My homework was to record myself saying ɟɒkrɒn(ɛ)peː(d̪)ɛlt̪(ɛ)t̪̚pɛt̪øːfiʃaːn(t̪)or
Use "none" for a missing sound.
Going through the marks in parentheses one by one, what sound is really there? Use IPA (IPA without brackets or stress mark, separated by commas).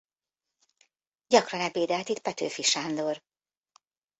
ɛ, d̪, i, d̪